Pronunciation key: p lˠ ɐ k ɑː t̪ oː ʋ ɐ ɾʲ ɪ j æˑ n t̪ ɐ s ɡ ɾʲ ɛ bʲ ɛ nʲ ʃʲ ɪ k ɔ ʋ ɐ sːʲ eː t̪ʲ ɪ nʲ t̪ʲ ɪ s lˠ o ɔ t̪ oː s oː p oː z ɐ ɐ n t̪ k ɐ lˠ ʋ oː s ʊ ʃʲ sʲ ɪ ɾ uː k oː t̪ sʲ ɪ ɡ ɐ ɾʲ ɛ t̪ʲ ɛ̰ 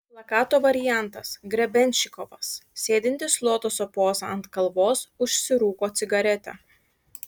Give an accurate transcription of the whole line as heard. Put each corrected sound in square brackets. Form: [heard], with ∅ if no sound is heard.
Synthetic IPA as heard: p lˠ ɐ k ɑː t̪ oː ʋ ɐ ɾʲ ɪ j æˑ n t̪ ɐ s ɡ ɾʲ ɛ bʲ ɛ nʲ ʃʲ ɪ k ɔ ʋ ɐ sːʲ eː [d̪ʲ] ɪ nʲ t̪ʲ ɪ s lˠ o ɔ t̪ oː s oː p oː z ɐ ɐ n t̪ k ɐ lˠ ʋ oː s ʊ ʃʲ sʲ ɪ ɾ uː k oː t̪ sʲ ɪ ɡ ɐ ɾʲ ɛ t̪ʲ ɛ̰